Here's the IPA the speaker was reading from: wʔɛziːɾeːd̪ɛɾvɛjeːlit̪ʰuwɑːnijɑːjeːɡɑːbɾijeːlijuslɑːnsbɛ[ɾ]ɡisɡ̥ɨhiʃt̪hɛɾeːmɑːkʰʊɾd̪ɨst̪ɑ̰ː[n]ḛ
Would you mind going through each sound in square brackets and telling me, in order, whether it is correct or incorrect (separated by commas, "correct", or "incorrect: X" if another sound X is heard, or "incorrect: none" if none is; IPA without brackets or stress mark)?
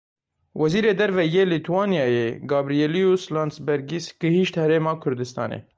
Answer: correct, correct